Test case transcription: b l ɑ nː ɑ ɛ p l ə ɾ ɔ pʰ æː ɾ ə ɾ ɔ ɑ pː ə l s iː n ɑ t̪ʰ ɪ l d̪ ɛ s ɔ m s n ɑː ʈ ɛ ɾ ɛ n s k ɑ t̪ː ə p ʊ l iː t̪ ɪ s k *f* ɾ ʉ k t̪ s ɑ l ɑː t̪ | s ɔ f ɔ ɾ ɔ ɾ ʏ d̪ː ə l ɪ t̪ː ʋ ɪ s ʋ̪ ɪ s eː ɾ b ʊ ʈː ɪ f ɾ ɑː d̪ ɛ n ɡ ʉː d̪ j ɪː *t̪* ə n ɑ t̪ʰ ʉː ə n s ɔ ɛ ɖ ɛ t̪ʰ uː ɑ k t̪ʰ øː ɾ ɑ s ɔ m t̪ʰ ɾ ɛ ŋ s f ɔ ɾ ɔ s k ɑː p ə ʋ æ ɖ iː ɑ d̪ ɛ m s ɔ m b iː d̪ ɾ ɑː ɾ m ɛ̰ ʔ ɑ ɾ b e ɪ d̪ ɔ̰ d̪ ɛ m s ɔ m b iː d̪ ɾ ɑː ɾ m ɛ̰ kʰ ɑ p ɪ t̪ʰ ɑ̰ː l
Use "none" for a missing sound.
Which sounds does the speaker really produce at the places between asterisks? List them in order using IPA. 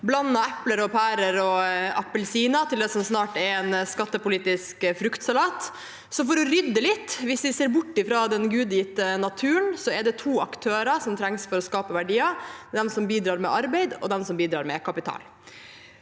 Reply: f, t̪

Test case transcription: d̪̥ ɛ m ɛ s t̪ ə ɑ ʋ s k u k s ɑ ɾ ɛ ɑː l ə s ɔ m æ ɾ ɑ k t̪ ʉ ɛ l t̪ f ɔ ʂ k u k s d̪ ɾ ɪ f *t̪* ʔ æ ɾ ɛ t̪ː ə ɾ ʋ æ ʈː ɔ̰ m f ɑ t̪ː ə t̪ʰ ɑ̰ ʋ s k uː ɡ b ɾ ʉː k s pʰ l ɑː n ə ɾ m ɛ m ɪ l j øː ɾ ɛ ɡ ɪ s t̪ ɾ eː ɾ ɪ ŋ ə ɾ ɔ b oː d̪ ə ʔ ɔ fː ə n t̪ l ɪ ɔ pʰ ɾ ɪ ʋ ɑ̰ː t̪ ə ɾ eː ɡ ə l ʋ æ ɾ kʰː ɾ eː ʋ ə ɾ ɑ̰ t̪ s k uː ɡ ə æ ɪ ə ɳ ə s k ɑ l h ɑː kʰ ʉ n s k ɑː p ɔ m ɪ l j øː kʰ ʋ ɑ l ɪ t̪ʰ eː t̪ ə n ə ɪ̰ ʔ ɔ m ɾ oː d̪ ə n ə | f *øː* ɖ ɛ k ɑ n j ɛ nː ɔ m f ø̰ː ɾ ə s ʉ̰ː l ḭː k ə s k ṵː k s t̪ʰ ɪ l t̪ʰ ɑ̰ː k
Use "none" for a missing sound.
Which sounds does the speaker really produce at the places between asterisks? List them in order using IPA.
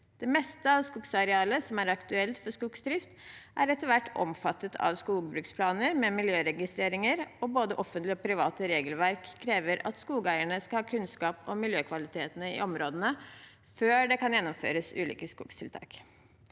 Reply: t̪, øː

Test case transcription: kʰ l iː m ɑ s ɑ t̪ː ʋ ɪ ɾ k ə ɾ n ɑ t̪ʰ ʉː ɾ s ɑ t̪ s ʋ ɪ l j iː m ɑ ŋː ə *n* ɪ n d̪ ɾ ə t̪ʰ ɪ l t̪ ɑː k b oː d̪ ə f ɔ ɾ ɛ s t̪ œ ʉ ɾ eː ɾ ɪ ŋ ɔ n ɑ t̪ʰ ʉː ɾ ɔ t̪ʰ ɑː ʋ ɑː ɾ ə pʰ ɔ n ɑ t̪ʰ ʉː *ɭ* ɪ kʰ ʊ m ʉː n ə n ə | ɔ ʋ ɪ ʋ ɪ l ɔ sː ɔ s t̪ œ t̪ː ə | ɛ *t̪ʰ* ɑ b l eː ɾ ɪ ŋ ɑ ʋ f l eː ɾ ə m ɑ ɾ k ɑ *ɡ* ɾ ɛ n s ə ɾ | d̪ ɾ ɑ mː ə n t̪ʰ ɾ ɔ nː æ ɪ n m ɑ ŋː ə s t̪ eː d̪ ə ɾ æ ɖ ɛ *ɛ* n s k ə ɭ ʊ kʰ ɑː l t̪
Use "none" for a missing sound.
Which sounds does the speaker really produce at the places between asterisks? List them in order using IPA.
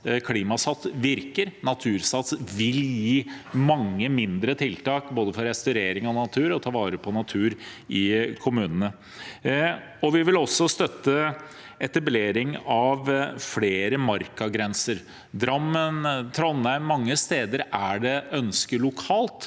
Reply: m, ɾ, t̪, ɡ, œ

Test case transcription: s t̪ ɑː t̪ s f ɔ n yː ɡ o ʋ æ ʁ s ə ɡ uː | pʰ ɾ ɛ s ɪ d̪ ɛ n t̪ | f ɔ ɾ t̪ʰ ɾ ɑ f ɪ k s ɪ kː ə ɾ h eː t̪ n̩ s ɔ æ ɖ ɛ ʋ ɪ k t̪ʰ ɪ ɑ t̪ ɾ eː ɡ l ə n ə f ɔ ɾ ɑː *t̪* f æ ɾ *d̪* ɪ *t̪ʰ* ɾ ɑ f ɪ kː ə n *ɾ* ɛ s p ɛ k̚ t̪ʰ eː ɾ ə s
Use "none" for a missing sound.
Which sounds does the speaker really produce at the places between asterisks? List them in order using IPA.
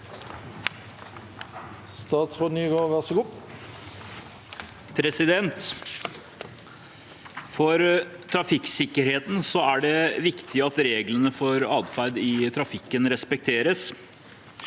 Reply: d̪, d̪, t̪ʰ, ɾ

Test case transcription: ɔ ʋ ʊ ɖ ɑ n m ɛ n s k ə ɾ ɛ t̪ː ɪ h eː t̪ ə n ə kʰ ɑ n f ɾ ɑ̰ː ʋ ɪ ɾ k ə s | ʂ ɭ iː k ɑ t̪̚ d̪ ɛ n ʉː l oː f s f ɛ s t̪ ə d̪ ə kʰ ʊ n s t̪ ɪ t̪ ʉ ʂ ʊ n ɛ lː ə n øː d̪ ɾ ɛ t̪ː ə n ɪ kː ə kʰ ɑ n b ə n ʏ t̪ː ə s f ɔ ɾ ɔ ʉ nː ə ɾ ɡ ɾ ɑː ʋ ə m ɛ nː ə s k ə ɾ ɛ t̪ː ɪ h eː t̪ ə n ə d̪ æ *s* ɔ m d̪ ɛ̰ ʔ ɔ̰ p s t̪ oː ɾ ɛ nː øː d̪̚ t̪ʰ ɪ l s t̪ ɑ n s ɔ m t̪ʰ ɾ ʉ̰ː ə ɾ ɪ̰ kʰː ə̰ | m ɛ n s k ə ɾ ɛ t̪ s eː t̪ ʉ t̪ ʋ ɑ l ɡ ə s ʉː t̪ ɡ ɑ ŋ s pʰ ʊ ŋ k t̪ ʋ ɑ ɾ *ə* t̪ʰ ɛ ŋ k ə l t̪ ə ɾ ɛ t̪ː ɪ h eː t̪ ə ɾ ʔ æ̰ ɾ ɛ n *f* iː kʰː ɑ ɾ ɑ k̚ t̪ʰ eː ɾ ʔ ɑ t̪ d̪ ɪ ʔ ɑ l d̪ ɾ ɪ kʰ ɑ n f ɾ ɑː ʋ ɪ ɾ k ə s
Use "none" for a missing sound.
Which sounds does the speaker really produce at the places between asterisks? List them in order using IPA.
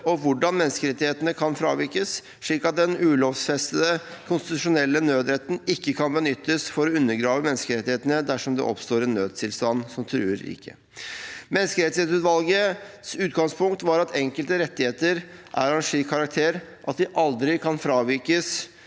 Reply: ʂ, ɑ, ʂ

